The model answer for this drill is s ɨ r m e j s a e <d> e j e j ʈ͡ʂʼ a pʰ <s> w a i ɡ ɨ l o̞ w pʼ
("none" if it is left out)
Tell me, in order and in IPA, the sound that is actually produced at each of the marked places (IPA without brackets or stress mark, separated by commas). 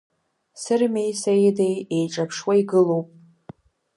d, ʂ